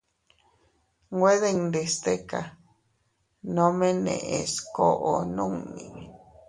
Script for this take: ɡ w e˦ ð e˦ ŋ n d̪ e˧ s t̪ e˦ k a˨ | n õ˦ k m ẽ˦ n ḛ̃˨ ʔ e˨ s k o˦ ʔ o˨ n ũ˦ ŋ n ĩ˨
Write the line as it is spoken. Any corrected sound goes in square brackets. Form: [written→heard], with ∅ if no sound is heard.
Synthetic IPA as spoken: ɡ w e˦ ð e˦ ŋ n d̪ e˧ s t̪ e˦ k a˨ | n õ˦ [k→∅] m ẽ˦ n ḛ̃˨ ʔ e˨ s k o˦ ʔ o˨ n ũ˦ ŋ n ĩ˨